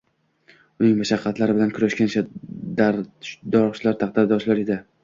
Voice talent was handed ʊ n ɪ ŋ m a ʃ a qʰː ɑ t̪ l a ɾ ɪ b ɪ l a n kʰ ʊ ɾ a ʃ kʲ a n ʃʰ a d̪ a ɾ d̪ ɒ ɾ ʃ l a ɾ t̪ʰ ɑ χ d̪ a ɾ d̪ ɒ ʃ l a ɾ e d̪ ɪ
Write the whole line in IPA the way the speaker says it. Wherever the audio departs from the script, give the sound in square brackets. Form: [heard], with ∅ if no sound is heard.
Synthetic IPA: ʊ n ɪ ŋ m a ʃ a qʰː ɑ t̪ l a ɾ ɪ b ɪ l a n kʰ ʊ ɾ a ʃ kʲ a n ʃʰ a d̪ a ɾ d̪ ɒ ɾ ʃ l a ɾ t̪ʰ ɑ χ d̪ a ɾ d̪ ɒ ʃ l a ɾ e d̪ ɪ